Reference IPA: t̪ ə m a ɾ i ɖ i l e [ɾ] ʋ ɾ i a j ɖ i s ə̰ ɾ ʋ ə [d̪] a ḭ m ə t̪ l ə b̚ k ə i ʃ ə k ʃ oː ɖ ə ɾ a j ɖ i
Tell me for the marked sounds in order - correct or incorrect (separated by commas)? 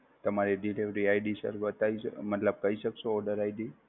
incorrect, incorrect